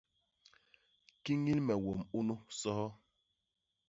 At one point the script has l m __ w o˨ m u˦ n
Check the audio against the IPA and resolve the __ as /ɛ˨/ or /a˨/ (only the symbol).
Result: ɛ˨